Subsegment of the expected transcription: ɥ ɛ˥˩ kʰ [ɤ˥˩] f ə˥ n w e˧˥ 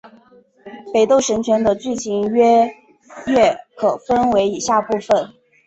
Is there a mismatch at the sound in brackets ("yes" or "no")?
yes